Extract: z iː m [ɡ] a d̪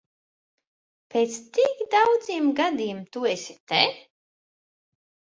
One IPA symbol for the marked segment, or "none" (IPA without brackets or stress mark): ɡ